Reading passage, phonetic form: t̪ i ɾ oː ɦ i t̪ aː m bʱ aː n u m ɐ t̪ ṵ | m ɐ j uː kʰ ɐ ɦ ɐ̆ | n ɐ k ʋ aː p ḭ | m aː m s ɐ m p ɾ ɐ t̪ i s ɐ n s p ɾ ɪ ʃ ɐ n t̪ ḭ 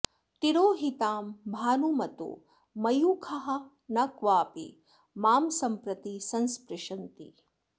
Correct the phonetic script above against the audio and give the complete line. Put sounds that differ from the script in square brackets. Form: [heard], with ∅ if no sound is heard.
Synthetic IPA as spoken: t̪ i ɾ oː ɦ i t̪ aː m bʱ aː n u m ɐ t̪ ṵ | m ɐ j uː kʰ ɐ ɦ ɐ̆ | n ɐ k ʋ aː p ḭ | m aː m s ɐ m p ɾ ɐ t̪ i s ɐ n s p ɾ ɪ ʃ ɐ n t̪ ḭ